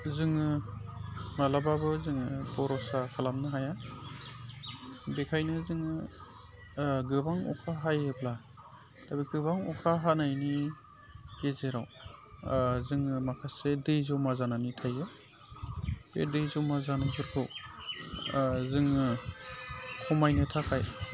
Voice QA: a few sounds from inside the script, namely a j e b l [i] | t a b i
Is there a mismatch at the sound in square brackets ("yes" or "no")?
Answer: yes